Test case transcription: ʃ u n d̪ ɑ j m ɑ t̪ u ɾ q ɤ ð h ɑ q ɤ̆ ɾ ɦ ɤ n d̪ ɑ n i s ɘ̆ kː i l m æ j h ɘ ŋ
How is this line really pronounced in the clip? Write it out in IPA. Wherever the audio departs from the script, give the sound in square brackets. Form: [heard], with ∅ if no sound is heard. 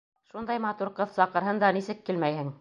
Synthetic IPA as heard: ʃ u n d̪ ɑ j m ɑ t̪ u ɾ q ɤ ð [s] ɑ q ɤ̆ ɾ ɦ ɤ n d̪ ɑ n i s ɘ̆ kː i l m æ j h ɘ ŋ